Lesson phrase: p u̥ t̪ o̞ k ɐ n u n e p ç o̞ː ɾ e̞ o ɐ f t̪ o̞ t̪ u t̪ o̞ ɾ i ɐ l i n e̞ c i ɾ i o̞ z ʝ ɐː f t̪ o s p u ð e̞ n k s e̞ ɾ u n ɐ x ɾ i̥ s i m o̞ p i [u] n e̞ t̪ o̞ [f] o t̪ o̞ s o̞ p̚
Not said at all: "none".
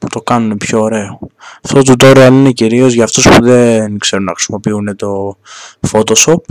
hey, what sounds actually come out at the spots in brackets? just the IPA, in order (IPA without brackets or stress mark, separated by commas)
u, f